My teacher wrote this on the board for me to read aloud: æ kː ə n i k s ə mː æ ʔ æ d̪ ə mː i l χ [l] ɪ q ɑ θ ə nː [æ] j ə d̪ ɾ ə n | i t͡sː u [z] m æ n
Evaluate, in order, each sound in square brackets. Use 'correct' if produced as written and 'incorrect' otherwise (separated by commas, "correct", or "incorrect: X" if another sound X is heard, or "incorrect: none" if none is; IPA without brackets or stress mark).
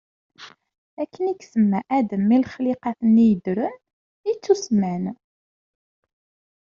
correct, incorrect: i, incorrect: s